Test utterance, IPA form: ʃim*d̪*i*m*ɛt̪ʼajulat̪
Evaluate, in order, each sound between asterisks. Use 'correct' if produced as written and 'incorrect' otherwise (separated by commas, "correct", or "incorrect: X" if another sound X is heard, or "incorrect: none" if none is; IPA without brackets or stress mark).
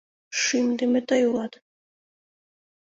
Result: correct, correct